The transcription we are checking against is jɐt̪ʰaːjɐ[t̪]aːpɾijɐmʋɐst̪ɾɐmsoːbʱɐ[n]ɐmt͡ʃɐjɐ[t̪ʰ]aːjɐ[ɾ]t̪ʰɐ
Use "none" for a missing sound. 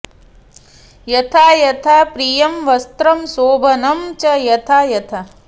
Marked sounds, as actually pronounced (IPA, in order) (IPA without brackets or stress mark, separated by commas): t̪ʰ, n, t̪ʰ, none